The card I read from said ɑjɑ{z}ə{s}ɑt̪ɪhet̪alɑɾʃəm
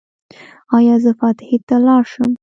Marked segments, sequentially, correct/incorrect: correct, incorrect: f

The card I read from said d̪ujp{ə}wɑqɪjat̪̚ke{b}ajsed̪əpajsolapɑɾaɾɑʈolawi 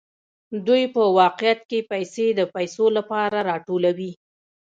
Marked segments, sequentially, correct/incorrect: correct, incorrect: p

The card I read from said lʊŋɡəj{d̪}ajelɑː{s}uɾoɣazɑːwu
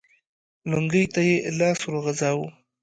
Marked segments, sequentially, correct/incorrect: incorrect: t̪, correct

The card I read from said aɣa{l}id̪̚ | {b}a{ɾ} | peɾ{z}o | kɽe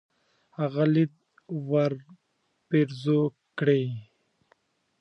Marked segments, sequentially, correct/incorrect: correct, incorrect: w, correct, correct

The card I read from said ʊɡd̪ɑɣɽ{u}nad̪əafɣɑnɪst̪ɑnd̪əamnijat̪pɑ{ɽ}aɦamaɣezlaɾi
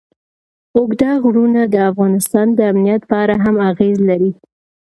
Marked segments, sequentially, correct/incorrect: correct, incorrect: ɾ

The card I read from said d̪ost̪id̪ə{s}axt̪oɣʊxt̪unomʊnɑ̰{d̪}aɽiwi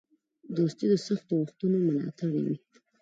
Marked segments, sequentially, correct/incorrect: correct, incorrect: t̪

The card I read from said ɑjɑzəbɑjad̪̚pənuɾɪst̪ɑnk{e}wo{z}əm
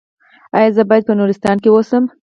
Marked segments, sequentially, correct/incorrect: correct, incorrect: s

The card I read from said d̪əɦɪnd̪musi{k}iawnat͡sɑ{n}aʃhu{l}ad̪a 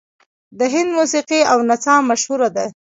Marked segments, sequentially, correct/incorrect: incorrect: q, incorrect: m, incorrect: ɾ

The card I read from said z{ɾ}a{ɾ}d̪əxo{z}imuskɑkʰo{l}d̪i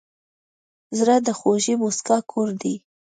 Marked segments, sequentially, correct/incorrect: correct, incorrect: none, incorrect: ʒ, incorrect: ɾ

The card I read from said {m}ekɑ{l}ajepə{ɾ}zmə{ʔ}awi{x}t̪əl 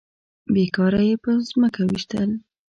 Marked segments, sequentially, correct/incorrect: incorrect: b, incorrect: ɾ, incorrect: none, incorrect: k, incorrect: ʃ

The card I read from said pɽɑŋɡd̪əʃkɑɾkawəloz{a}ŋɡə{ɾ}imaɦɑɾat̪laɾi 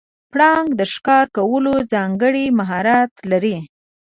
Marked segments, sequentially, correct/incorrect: incorrect: ɑ, incorrect: ɽ

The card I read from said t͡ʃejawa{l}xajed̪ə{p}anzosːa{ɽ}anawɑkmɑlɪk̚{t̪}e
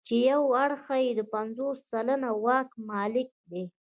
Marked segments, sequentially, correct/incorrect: incorrect: ɽ, correct, incorrect: l, incorrect: d̪

